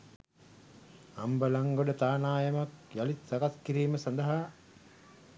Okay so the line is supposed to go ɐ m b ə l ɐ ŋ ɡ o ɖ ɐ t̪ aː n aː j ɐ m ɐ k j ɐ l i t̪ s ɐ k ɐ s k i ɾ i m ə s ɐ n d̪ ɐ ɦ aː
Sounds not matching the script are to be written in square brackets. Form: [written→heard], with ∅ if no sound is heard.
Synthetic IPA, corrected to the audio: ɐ m b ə l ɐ ŋ ɡ o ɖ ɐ t̪ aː n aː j ɐ m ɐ k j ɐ l i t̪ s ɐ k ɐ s k i ɾ [i→iː] m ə s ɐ n d̪ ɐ ɦ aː